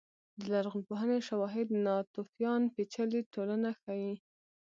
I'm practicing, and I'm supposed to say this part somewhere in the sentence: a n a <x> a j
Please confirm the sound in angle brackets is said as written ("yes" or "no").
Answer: yes